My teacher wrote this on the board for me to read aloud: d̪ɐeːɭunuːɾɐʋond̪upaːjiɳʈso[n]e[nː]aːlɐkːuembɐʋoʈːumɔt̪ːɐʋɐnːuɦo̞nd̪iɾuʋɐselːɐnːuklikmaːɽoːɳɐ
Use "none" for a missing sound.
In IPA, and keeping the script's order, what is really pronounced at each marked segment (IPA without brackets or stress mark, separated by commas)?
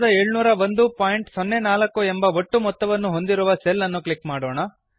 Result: nː, n